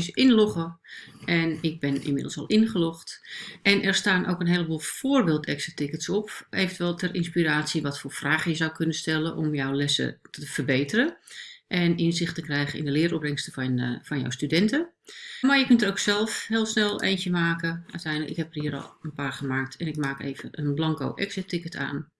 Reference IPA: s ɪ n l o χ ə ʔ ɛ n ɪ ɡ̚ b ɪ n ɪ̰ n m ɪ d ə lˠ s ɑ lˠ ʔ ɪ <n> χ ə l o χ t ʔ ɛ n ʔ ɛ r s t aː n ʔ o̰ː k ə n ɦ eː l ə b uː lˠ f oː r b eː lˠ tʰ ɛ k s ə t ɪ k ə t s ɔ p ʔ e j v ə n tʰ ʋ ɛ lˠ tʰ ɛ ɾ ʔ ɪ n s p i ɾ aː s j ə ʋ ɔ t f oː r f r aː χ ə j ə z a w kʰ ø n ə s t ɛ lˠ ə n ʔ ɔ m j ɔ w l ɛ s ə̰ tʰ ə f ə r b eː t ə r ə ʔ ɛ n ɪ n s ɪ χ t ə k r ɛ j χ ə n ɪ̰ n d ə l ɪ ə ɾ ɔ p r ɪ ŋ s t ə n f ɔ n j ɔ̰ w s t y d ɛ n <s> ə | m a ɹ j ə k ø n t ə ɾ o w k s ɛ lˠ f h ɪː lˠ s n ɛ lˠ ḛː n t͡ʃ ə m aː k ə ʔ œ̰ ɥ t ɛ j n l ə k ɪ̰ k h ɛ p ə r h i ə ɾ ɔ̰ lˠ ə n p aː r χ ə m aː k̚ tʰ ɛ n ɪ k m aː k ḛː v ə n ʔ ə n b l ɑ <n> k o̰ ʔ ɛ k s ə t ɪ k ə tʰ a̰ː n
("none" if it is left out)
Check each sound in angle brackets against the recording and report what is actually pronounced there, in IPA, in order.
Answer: n, t, ŋ

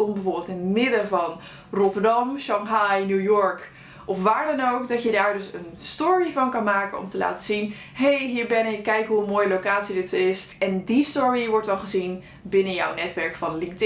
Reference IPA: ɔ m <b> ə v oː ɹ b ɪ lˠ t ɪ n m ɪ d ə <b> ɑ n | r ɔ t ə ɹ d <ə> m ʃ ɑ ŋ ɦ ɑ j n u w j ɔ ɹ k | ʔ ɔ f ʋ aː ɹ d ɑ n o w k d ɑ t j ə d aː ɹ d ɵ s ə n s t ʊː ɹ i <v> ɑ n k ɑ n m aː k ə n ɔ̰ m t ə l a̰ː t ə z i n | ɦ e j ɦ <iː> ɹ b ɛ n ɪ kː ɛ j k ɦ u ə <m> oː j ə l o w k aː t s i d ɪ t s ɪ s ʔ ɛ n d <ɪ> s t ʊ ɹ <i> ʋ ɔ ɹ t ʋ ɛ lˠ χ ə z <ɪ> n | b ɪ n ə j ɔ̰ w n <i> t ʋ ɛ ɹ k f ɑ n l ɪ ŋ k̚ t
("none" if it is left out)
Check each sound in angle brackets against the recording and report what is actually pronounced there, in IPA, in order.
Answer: b, v, ɑ, v, iː, m, i, i, i, ɛ

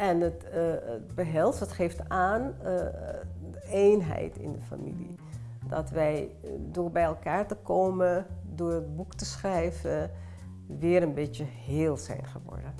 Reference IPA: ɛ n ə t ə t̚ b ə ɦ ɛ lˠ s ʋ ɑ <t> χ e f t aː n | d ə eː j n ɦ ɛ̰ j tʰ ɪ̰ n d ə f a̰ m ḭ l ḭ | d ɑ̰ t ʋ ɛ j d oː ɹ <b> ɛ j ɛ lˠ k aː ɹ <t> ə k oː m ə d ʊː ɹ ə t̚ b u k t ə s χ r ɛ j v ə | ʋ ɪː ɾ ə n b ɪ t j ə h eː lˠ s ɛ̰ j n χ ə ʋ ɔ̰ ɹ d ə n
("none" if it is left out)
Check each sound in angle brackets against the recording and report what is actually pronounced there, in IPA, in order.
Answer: t, b, t

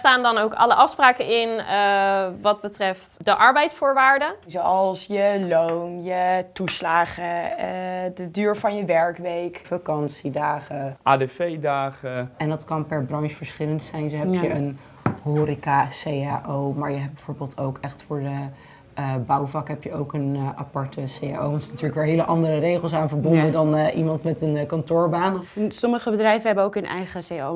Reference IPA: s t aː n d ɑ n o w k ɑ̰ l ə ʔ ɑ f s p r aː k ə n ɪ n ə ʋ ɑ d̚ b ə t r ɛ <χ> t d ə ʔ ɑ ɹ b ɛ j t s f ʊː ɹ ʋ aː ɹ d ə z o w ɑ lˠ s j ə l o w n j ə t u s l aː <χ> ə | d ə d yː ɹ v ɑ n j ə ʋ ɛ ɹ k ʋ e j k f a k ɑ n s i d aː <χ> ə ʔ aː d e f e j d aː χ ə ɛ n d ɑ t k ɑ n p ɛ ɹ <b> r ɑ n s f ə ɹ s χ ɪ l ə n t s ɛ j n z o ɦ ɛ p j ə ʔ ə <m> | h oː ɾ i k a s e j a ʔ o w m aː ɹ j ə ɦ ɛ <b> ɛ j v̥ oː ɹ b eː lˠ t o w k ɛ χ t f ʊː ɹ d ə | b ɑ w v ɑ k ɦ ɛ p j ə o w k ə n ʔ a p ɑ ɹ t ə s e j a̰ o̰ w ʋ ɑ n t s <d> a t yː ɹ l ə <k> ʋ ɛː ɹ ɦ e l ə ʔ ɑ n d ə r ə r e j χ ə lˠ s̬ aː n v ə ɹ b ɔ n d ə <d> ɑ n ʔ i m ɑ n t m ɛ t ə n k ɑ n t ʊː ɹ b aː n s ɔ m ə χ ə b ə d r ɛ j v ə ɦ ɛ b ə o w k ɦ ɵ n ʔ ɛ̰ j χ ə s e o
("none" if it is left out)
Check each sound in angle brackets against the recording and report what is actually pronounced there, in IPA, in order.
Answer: f, χ, χ, b, n, b, n, k, d

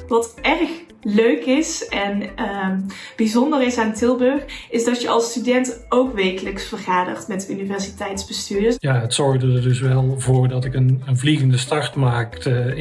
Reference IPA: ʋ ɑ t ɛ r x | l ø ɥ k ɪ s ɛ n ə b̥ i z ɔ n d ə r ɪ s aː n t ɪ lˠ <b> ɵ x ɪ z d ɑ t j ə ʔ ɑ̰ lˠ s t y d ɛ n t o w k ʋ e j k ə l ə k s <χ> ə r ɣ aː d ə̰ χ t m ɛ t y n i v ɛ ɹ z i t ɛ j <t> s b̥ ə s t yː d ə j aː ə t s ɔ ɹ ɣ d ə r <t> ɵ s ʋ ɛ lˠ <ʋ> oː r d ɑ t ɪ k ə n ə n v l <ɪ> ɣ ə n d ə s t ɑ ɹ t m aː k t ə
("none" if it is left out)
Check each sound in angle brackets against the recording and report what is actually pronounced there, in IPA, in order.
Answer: b, f, t, d, v, i

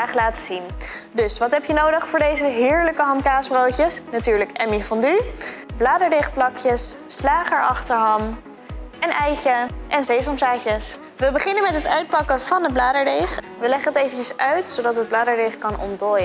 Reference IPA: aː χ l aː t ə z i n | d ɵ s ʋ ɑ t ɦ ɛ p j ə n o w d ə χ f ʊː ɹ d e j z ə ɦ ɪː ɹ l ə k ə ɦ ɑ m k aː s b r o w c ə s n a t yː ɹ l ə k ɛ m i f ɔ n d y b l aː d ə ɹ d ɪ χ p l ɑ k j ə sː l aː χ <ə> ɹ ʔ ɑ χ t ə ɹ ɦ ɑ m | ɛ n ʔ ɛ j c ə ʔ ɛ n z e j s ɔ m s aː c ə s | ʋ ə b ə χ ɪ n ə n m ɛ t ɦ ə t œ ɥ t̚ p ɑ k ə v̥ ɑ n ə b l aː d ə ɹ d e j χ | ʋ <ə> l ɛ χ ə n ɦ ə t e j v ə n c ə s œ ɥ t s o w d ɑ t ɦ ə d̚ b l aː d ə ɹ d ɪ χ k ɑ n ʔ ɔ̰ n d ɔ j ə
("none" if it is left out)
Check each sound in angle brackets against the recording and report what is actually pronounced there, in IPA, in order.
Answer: ə, ə

